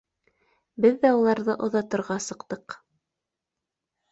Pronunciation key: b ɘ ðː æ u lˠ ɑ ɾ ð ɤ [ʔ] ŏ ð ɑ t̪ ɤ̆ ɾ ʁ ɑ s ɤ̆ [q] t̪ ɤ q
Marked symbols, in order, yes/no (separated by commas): yes, yes